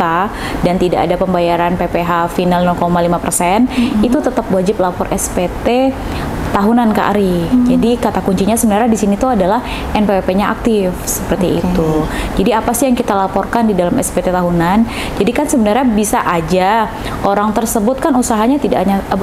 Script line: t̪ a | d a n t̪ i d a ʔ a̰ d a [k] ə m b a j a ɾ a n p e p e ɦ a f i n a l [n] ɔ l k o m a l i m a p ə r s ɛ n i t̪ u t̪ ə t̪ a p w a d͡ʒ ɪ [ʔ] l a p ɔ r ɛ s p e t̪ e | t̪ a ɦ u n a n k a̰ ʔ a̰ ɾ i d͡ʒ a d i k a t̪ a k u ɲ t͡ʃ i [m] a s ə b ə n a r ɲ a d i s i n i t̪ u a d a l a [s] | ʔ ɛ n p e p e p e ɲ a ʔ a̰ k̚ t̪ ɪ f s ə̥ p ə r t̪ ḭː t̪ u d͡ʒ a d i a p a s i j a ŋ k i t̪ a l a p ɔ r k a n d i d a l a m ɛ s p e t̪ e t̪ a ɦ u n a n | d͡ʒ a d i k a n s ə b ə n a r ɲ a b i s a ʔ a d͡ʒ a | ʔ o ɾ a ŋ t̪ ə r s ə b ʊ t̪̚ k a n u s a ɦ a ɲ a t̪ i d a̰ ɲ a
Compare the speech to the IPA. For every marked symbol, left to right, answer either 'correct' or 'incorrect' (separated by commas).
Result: incorrect, correct, incorrect, incorrect, incorrect